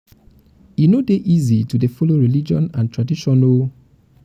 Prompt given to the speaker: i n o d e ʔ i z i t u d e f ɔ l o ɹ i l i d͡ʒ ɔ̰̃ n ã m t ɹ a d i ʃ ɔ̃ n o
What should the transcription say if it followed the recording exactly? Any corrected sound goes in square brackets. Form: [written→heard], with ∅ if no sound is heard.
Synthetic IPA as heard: i n o d e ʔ i z i t u d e f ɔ l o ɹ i l i d͡ʒ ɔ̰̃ n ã [m→n] t ɹ a d i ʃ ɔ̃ n o